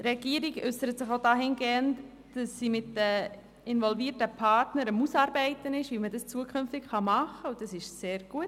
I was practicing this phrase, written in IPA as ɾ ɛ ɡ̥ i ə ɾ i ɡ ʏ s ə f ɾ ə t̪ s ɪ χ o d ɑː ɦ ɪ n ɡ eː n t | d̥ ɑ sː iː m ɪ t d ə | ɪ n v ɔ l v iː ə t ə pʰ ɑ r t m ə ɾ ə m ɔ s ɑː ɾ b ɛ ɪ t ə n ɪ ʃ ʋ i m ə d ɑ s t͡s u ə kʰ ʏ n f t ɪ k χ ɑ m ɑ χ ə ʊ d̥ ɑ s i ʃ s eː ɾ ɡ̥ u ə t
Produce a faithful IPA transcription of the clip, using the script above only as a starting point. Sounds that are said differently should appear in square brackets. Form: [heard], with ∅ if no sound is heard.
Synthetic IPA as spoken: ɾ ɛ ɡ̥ i ə ɾ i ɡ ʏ s ə [∅] ɾ ə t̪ s ɪ χ o d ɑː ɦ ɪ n ɡ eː n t | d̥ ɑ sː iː m ɪ t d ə | ɪ n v ɔ l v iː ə t ə pʰ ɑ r t [n] ə ɾ ə m [u] s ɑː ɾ b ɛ ɪ t ə n ɪ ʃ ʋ i m ə d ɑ s t͡s u ə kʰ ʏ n f t ɪ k χ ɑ m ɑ χ ə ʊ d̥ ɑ s [ɪ] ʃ s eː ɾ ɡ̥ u ə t